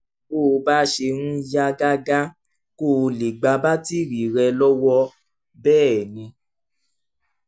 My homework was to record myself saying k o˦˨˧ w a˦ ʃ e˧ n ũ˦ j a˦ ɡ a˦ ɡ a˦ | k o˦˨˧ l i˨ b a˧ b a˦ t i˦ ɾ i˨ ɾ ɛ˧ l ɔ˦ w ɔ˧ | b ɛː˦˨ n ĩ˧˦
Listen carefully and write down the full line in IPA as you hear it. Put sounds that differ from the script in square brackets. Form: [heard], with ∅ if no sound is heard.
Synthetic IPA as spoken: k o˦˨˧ [b] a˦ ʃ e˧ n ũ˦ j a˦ ɡ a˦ ɡ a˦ | k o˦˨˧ l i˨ [ɡ͡b] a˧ b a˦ t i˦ ɾ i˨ ɾ ɛ˧ l ɔ˦ w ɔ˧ | b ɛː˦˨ n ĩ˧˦